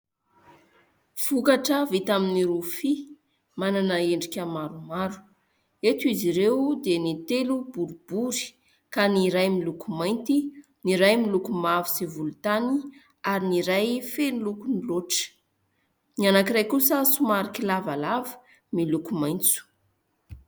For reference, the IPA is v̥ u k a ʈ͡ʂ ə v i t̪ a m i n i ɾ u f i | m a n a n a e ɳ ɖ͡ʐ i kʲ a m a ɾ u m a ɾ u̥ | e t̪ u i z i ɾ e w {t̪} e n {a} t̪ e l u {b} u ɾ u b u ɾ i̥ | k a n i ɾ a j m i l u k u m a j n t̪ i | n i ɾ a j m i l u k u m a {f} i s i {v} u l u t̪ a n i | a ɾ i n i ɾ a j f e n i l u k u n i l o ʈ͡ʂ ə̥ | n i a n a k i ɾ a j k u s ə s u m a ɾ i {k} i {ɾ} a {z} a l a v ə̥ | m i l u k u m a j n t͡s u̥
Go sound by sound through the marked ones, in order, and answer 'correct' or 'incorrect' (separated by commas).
incorrect, incorrect, correct, incorrect, correct, correct, incorrect, incorrect